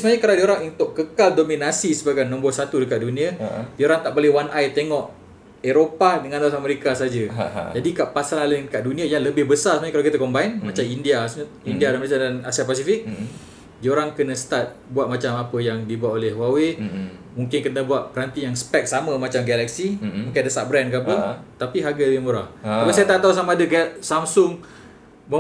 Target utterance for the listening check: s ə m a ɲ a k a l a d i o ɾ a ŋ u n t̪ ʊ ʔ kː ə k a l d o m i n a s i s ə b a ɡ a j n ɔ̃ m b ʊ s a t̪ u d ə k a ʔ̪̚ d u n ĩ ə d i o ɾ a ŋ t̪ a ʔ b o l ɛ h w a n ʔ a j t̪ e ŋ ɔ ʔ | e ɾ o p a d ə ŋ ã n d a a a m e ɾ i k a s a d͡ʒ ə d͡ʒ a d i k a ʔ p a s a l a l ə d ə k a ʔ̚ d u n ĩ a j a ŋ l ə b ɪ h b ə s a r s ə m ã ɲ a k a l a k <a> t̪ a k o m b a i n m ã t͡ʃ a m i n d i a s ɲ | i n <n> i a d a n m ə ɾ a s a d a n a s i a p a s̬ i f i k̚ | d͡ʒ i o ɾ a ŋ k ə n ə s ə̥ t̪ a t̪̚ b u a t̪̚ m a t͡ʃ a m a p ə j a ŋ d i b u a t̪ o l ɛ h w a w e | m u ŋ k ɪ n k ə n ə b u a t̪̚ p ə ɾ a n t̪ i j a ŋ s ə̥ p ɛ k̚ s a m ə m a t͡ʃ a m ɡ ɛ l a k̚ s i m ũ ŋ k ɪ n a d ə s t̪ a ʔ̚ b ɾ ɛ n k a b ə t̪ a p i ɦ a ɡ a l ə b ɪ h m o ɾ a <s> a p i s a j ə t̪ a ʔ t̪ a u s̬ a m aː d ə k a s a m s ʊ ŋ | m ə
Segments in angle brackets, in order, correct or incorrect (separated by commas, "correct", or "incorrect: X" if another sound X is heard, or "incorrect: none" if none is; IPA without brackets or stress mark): incorrect: i, incorrect: d, incorrect: h